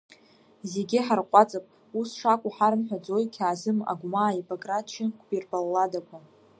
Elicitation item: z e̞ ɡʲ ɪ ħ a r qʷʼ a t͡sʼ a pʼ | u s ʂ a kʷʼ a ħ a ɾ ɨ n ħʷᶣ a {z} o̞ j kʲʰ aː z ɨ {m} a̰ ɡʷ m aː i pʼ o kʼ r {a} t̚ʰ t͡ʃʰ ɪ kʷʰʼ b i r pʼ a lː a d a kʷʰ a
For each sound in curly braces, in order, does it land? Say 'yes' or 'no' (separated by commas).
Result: no, yes, yes